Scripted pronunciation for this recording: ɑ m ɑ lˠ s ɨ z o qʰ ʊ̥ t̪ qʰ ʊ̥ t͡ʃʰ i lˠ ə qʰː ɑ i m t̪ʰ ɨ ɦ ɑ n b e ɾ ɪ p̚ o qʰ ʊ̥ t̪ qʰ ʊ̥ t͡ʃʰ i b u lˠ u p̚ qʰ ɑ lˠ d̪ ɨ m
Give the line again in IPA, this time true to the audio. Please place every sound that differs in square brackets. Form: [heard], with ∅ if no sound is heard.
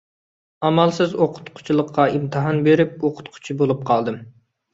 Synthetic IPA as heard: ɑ m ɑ lˠ s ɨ z o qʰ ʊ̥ t̪ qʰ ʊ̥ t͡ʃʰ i lˠ ə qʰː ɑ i m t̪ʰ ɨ ɦ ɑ n b e ɾ ɪ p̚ o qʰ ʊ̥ t̪ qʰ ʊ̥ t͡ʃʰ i b [o] lˠ u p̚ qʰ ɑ lˠ d̪ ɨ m